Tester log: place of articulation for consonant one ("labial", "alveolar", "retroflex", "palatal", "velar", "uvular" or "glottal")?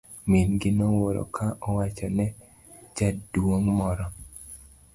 labial